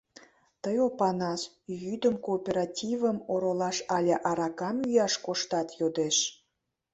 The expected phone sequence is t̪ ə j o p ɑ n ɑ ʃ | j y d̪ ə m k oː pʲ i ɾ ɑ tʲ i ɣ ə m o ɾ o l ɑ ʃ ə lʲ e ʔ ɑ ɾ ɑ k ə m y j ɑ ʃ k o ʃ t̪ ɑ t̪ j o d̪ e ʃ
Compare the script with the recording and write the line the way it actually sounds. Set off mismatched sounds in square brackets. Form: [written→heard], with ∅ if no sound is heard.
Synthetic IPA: t̪ ə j o p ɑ n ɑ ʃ | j y d̪ ə m k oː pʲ [i→e] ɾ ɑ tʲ i [ɣ→v] ə m o ɾ o l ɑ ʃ [ə→ɑ] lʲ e ʔ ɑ ɾ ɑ k [ə→ɑ] m y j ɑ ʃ k o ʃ t̪ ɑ t̪ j o d̪ e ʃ